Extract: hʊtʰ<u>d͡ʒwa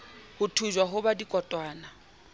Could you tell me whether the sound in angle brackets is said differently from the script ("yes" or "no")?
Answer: no